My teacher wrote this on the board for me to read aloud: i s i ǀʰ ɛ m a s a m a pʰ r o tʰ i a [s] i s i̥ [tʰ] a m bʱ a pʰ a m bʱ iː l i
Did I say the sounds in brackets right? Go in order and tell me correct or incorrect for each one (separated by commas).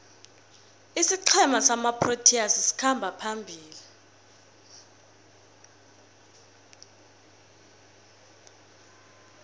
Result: correct, incorrect